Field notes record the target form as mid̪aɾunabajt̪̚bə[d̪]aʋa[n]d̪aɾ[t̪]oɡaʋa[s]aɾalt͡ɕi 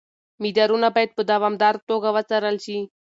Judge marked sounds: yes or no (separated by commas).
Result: yes, no, yes, no